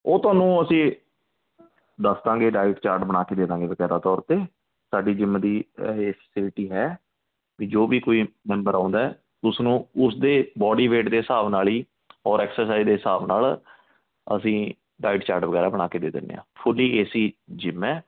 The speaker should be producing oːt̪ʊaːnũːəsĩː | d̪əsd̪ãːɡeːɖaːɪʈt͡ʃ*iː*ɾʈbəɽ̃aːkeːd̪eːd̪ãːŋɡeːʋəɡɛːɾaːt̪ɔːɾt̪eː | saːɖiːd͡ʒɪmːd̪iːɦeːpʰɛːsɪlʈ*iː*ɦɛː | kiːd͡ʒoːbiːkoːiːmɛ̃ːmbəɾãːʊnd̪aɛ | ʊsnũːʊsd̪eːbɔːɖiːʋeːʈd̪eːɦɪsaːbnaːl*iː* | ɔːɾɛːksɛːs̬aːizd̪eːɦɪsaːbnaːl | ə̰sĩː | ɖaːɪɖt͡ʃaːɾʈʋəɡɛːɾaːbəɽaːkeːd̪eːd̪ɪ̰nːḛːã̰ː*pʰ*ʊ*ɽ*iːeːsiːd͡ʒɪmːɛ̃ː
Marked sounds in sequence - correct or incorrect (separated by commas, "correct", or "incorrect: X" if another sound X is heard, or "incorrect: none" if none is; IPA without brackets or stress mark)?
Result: incorrect: aː, correct, correct, correct, incorrect: l